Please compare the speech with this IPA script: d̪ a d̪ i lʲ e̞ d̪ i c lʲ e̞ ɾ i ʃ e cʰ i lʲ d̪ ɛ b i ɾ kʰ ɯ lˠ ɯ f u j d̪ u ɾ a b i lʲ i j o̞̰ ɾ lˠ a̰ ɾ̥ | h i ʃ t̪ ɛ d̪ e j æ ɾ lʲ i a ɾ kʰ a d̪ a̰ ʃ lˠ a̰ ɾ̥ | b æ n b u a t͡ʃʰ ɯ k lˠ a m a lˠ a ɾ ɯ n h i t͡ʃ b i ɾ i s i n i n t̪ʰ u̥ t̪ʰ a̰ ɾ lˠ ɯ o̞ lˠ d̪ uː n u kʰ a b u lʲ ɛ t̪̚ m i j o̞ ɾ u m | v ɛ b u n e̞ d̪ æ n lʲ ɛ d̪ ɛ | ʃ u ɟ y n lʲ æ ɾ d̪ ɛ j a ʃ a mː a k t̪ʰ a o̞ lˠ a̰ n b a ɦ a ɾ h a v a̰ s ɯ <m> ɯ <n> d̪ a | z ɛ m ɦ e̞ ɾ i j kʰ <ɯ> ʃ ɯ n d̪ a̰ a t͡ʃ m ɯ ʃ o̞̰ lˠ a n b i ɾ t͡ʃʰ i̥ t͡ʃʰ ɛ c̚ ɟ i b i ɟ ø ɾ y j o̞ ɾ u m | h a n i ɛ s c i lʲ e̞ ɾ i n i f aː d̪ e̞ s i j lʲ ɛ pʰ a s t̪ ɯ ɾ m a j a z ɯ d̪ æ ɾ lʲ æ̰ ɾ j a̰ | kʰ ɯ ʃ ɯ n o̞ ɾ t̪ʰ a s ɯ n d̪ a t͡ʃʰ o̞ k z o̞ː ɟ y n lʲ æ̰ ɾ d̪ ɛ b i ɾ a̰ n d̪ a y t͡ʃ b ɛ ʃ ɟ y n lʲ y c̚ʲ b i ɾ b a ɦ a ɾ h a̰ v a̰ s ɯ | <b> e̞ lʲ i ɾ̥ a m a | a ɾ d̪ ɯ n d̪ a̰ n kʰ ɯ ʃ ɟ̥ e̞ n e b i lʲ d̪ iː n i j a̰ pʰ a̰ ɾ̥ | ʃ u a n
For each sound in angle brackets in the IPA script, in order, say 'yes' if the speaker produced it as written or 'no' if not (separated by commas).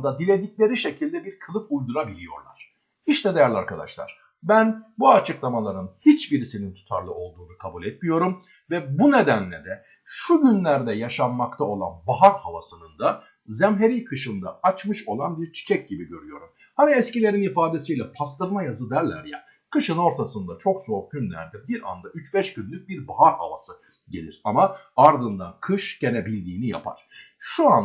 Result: no, yes, yes, no